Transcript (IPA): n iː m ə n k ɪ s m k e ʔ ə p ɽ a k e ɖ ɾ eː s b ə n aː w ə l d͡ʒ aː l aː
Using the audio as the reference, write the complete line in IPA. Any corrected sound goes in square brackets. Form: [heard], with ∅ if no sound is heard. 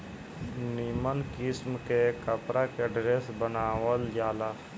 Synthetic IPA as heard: n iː m ə n k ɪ s m k e [k] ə p [ɾ] a k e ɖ ɾ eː s b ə n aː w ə l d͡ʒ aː l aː